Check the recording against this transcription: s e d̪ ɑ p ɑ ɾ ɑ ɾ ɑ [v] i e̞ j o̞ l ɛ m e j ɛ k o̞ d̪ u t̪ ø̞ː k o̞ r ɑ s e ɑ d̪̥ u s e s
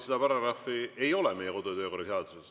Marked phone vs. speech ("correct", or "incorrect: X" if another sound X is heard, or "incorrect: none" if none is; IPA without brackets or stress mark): incorrect: f